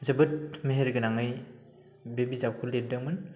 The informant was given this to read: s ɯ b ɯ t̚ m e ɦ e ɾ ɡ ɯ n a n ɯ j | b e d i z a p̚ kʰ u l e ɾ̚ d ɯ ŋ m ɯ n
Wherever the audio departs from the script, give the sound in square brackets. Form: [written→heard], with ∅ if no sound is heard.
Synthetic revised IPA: [s→z] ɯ b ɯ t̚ m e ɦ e ɾ ɡ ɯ n a [n→ŋ] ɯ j | b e [d→b] i z a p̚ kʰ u l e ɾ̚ d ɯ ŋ m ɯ n